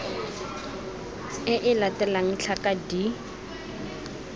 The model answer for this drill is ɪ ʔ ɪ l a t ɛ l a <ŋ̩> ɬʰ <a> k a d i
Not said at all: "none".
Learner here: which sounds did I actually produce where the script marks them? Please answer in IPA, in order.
ŋ̩, a

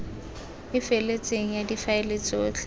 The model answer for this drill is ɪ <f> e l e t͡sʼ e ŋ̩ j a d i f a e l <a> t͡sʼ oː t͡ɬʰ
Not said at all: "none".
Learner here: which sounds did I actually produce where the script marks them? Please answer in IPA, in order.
f, e

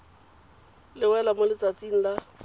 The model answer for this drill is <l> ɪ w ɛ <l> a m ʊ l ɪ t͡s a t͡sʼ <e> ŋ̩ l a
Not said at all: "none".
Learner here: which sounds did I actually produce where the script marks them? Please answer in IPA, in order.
l, l, i

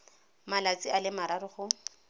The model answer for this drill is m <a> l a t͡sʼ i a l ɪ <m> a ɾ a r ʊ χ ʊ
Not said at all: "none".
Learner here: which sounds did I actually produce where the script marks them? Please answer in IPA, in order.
a, m

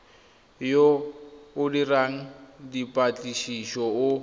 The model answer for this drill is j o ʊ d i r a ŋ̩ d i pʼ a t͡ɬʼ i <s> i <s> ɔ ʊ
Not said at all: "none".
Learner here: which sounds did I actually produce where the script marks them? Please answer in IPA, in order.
ʃ, ʃ

